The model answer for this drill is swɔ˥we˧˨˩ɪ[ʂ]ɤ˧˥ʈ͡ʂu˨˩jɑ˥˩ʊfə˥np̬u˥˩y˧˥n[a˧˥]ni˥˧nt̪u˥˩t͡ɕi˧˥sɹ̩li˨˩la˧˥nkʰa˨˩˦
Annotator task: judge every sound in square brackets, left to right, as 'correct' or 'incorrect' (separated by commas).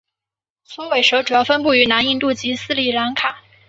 correct, correct